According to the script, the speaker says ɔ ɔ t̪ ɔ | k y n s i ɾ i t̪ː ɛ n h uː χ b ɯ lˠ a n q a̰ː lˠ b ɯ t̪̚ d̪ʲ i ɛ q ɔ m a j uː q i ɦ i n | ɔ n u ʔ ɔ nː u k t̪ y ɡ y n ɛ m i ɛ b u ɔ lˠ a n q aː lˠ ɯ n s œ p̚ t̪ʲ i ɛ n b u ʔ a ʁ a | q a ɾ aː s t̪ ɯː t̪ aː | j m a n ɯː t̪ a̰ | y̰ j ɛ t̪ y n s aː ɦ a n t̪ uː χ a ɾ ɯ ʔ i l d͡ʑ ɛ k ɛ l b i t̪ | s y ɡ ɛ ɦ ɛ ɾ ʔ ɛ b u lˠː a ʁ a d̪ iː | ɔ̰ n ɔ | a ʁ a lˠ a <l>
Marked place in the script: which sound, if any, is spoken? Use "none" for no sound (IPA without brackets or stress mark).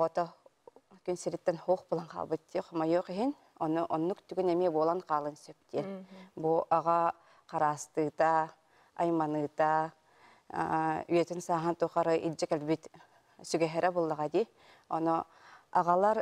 ɾ